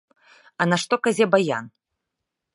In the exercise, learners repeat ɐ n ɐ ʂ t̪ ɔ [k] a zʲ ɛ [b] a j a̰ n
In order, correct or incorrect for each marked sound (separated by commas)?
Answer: correct, correct